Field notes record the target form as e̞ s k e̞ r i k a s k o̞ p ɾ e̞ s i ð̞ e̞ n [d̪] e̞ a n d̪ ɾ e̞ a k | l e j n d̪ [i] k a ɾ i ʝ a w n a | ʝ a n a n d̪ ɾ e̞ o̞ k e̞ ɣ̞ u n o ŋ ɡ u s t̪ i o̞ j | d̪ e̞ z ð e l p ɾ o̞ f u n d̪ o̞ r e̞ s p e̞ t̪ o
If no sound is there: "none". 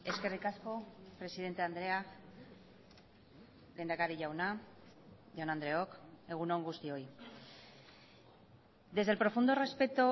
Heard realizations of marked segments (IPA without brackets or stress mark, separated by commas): t̪, a